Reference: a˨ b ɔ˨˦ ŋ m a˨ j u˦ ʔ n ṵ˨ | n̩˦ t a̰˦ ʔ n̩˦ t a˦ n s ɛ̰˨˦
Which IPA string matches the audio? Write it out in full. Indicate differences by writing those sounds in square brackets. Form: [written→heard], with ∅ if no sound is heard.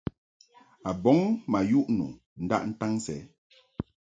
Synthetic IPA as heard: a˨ b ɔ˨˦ ŋ m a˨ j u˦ ʔ n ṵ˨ | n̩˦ [t→d] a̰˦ ʔ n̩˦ t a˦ [n→ŋ] s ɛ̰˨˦